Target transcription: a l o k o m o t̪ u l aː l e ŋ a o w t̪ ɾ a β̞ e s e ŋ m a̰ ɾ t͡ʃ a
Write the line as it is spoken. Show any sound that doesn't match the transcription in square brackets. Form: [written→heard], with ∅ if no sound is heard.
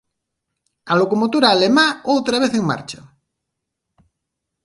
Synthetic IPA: a l o k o m o t̪ u [l→ɾ] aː l e [ŋ→m] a o w t̪ ɾ a β̞ e [s→θ] e ŋ m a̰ ɾ t͡ʃ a

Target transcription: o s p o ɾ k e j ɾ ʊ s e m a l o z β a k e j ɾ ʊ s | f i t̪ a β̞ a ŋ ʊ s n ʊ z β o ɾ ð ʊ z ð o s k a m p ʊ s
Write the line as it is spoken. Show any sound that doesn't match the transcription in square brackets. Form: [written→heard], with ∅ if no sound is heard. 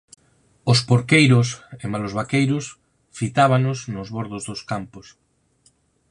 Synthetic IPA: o s p o ɾ k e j ɾ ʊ s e m a l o z β a k e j ɾ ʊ s | f i t̪ a β̞ a [ŋ→n] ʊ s n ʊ z β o ɾ ð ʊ z ð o s k a m p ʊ s

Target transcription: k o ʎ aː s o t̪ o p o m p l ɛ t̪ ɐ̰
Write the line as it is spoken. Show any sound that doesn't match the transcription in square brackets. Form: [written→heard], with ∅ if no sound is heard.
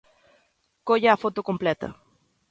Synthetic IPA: k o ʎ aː [s→f] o t̪ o [p→k] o m p l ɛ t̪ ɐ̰

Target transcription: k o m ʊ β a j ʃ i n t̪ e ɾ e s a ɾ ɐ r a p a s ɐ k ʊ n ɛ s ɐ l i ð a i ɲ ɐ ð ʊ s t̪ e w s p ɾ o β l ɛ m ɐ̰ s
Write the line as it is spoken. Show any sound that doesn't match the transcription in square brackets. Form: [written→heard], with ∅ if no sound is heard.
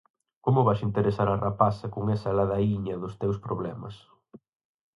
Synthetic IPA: k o m ʊ β a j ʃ i n t̪ e ɾ e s a ɾ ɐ r a p a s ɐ k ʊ [n→ŋ] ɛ s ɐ l [i→a] ð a i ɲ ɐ ð ʊ s t̪ e w s p ɾ o β l ɛ m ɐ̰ s

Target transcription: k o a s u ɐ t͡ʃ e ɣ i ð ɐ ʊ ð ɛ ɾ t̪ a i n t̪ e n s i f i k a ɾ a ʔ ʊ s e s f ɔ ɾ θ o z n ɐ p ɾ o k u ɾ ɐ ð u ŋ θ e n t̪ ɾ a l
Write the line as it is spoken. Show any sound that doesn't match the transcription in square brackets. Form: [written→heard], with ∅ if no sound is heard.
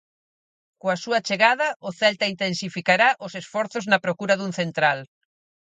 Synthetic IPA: k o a s u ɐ t͡ʃ e ɣ [i→a] ð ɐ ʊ [ð→θ] ɛ [ɾ→l] t̪ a i n t̪ e n s i f i k a ɾ a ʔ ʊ s e s f ɔ ɾ θ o z n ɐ p ɾ o k u ɾ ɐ ð u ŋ θ e n t̪ ɾ a l

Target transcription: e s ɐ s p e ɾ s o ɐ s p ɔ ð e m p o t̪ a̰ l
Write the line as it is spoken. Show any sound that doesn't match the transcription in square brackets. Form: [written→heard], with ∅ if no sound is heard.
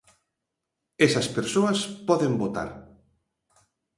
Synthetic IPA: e s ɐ s p e ɾ s o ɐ s p ɔ ð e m [p→b] o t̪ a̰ [l→ɾ]

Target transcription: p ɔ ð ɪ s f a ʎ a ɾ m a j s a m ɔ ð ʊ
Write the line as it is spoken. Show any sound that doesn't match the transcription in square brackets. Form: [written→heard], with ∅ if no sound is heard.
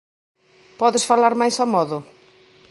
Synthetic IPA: p ɔ ð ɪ s f a [ʎ→l] a ɾ m a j s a m ɔ ð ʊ

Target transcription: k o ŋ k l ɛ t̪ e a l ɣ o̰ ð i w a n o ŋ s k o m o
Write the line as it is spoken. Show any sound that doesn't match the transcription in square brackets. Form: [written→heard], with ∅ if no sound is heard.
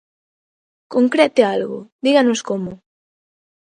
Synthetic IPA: k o ŋ k [l→ɾ] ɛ t̪ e a l ɣ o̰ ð i [w→ɣ] a n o [ŋ→∅] s k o m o

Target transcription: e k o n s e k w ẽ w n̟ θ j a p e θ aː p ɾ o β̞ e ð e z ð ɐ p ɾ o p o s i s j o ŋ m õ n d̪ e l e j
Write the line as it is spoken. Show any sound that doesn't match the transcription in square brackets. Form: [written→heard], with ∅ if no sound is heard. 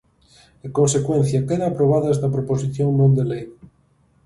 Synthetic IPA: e k o n s e k w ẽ [w→∅] n̟ θ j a [p→k] e [θ→ð] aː p ɾ o β̞ [e→a] ð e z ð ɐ p ɾ o p o s i [s→θ] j o ŋ m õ n d̪ e l e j

